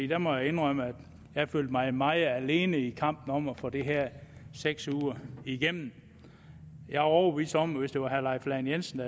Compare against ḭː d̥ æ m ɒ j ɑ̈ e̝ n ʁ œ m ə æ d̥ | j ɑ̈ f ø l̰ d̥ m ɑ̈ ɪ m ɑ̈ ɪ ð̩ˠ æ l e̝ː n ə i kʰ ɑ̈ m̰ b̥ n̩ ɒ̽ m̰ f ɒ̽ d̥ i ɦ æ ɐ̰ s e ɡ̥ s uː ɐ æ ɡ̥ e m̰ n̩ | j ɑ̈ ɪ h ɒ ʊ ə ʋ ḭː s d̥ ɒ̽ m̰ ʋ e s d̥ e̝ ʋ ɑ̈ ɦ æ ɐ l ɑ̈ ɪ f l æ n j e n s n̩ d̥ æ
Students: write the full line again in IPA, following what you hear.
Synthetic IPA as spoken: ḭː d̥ æ m ɒ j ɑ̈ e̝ n ʁ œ m ə æ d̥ | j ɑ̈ f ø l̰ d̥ m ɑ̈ ɪ m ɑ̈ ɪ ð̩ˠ æ l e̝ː n ə i kʰ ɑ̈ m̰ b̥ n̩ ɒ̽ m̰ f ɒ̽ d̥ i ɦ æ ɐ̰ s e ɡ̥ s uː ɐ i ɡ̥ e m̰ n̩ | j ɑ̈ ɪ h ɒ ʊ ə ʋ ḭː s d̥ ɒ̽ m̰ ʋ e s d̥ e̝ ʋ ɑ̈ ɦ æ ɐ l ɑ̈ ɪ f l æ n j e n s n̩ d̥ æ